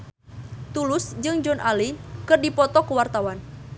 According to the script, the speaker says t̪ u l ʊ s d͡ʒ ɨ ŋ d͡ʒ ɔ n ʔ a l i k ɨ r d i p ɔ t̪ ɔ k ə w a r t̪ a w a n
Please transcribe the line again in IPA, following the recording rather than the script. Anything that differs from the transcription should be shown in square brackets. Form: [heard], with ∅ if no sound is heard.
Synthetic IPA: t̪ u l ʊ s d͡ʒ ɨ ŋ d͡ʒ ɔ n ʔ a l i k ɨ r d i p ɔ t̪ ɔ k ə w a r t̪ a w a n